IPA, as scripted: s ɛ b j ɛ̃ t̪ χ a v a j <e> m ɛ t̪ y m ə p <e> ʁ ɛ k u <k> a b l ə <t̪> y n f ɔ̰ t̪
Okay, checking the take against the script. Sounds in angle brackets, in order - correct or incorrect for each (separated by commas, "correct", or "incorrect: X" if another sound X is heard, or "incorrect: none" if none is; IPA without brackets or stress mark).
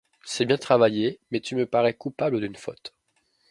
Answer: correct, incorrect: a, incorrect: p, incorrect: d̪